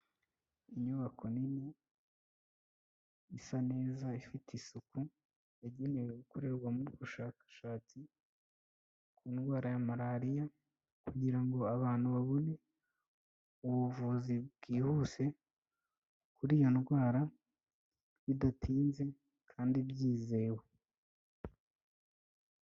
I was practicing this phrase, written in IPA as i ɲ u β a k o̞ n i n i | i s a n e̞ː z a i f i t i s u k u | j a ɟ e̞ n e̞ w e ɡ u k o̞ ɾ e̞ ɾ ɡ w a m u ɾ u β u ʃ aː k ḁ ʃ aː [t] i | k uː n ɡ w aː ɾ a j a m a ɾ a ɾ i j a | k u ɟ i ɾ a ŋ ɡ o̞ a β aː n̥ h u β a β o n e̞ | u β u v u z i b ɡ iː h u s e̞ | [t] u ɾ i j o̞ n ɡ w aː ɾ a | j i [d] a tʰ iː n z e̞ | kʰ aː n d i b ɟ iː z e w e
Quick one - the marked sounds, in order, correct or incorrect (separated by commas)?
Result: incorrect, incorrect, correct